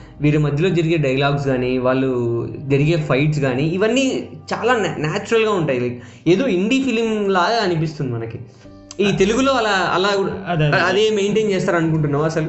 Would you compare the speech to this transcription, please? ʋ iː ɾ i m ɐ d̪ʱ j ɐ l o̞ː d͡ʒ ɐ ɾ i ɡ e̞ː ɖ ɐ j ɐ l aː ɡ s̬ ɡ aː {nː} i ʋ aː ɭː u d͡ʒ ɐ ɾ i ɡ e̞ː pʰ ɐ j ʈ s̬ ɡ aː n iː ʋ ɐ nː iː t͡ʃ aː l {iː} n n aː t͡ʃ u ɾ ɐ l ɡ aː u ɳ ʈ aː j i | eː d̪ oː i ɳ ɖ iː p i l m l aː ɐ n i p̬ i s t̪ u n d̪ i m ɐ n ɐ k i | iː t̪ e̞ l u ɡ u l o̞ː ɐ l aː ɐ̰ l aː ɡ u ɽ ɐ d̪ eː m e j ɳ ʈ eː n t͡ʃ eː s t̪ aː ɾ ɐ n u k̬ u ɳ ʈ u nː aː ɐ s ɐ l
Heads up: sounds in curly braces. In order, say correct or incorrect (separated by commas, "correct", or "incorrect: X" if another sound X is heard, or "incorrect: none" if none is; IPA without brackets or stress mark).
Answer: incorrect: n, incorrect: aː